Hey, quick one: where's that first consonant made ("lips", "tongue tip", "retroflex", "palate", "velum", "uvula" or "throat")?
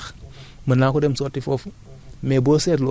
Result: lips